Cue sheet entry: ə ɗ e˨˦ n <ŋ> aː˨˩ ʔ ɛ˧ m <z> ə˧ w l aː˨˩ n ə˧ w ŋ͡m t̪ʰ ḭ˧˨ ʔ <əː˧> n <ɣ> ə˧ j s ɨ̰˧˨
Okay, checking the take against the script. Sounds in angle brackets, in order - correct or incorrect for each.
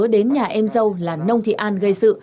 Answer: incorrect, correct, incorrect, correct

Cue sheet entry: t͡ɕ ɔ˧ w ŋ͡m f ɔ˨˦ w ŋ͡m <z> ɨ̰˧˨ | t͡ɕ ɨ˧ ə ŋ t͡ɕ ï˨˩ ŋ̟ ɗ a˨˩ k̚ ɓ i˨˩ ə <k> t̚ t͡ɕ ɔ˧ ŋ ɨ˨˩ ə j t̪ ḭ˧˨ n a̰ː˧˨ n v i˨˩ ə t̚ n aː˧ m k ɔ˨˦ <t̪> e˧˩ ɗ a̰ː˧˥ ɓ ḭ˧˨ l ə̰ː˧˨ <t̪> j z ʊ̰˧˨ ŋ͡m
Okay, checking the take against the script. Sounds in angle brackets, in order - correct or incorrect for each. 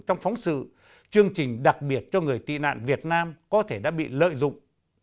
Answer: incorrect, incorrect, incorrect, incorrect

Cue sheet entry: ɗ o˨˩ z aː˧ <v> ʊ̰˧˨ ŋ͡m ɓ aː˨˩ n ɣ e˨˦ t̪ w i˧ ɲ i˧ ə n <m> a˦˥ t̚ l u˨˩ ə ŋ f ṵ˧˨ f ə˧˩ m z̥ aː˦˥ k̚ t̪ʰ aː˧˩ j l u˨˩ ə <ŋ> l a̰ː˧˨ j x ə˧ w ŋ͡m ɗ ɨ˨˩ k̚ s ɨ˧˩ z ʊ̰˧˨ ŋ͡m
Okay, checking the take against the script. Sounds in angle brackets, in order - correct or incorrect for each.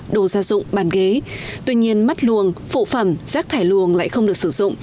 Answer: incorrect, correct, correct

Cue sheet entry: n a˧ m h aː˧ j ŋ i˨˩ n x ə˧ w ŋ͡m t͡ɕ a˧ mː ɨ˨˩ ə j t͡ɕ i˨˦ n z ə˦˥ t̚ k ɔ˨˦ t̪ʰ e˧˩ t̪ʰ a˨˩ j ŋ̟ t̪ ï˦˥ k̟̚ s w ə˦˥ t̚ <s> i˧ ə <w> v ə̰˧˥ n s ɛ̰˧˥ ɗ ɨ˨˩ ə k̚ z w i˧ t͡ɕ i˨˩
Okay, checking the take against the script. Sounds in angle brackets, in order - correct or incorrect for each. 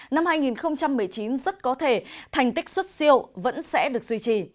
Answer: correct, correct

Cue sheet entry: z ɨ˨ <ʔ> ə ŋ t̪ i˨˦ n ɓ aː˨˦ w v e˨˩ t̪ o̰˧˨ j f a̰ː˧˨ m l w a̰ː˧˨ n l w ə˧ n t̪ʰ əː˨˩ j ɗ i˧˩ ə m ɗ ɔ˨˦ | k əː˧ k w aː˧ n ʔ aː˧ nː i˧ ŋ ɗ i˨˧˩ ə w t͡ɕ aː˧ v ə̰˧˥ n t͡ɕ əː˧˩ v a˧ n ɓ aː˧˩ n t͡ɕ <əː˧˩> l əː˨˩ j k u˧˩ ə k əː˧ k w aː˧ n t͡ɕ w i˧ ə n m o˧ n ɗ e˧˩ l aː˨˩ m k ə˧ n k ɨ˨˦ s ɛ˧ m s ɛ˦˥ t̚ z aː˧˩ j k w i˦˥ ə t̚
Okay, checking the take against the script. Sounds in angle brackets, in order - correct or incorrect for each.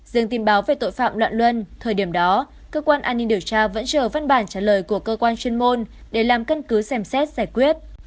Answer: incorrect, incorrect

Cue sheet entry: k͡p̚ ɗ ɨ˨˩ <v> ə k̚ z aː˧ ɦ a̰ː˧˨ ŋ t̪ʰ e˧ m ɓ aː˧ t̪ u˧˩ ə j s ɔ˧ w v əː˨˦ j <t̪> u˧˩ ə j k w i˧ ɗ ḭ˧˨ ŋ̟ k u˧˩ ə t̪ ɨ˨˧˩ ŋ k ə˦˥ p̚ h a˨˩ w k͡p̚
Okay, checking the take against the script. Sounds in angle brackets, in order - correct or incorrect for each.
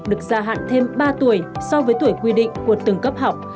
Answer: incorrect, correct

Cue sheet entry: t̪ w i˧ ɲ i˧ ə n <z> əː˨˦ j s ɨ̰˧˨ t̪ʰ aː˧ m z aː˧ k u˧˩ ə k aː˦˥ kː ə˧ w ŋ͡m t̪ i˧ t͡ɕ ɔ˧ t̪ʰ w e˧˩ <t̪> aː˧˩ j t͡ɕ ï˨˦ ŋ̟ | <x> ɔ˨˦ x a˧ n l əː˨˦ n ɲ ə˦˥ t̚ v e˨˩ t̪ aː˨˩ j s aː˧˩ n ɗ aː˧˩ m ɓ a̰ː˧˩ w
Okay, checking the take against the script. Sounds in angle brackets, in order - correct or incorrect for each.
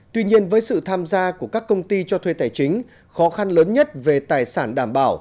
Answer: incorrect, correct, correct

